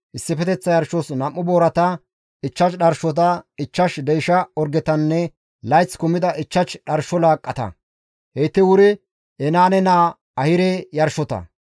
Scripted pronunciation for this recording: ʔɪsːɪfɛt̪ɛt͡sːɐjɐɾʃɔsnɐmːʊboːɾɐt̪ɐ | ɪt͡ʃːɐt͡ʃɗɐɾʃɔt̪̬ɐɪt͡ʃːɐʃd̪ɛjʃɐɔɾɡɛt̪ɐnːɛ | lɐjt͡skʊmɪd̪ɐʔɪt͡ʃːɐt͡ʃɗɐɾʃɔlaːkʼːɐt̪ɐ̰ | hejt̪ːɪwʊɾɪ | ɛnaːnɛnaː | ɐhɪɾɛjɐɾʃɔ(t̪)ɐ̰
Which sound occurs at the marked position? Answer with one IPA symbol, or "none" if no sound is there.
t̪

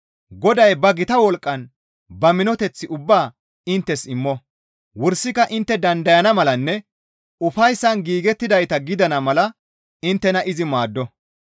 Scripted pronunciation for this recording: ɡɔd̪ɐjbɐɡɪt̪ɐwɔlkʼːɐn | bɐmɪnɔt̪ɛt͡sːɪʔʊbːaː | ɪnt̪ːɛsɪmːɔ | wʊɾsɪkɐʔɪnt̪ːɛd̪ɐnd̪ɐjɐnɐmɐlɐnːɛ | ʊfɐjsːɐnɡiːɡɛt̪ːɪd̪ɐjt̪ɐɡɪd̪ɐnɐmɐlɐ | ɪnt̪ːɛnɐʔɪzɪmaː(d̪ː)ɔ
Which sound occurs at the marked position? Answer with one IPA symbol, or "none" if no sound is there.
d̪ː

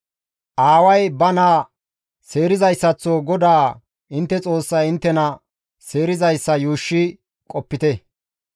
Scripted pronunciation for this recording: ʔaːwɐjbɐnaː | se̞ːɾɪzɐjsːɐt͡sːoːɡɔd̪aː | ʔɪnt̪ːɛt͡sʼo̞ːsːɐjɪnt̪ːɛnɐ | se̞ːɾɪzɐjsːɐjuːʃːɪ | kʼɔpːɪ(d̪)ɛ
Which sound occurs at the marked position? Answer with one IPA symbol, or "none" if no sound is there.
t̪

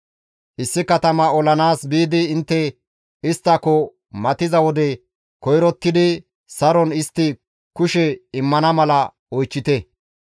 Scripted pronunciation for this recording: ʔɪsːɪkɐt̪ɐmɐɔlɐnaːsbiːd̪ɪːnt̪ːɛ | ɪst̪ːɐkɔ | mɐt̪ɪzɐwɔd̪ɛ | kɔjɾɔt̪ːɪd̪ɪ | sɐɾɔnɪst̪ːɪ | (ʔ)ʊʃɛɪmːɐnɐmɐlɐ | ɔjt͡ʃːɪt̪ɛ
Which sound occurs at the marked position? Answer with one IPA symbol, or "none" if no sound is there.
k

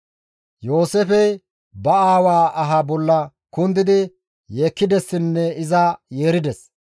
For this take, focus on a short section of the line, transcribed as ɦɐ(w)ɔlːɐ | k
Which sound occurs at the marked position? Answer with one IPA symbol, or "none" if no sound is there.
b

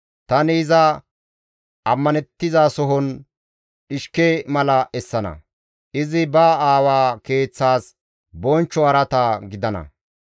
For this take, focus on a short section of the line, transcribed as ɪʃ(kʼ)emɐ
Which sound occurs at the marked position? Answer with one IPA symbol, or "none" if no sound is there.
k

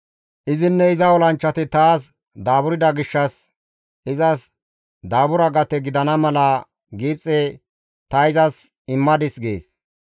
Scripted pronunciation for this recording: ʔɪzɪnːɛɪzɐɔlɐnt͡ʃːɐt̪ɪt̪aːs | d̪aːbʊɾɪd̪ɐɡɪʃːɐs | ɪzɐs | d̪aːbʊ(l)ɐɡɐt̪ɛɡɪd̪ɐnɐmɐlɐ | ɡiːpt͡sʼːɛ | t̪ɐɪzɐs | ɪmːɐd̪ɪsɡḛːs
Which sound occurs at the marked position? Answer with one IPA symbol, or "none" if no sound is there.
ɾ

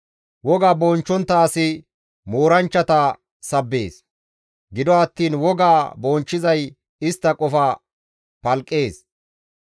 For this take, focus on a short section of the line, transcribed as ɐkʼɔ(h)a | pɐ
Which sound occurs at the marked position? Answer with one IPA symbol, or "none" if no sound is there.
f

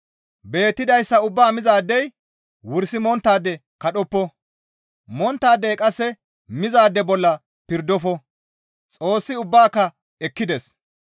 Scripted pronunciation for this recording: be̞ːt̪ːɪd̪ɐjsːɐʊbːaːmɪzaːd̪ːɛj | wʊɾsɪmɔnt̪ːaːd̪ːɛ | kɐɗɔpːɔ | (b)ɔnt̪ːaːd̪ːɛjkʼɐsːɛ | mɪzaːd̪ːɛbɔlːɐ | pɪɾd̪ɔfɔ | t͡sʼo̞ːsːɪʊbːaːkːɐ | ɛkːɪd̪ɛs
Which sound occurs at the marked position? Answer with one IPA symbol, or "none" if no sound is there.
m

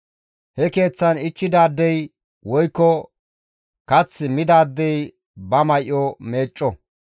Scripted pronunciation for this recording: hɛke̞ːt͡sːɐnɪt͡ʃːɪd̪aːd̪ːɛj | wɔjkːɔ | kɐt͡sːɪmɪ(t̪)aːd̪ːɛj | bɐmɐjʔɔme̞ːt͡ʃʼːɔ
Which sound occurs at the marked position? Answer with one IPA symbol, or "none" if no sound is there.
d̪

